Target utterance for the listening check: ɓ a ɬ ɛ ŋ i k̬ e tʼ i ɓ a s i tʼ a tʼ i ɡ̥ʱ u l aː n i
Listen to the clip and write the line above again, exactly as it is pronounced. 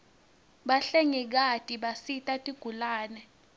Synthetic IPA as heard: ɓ a ɬ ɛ ŋ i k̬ a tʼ i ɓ a s i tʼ a tʼ i ɡ̥ʱ u l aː n ɛ

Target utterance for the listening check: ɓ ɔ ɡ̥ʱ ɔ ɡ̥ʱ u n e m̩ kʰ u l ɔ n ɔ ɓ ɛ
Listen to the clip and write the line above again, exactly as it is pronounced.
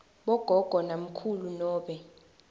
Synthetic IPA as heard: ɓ ɔ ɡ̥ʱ ɔ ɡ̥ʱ ɔ n a m̩ kʰ u l u n ɔː ɓ ɛ

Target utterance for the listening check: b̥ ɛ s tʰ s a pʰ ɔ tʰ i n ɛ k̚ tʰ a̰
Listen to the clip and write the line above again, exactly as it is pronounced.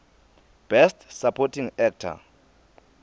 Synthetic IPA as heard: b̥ ɛ s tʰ s a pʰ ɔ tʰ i ŋ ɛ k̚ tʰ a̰

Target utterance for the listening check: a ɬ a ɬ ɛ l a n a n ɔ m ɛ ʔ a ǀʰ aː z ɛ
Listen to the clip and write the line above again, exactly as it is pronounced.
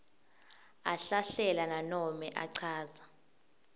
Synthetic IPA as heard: a ɬ a ɬ ɛ l a n a n ɔ m ɛ ʔ a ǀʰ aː z a

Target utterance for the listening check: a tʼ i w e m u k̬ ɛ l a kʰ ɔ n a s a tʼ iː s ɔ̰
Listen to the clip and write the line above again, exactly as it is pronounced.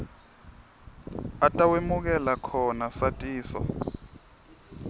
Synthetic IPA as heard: a tʼ a w e m u k̬ ɛ l a kʰ ɔ n a s a tʼ iː s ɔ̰

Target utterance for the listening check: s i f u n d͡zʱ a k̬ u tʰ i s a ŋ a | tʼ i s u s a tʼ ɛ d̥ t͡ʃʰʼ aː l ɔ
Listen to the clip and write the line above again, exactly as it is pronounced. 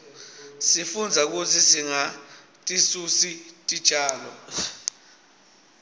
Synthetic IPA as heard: s i f u n d͡zʱ a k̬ u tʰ i s i ŋ a | tʼ i s u s i tʼ i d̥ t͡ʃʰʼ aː l ɔ

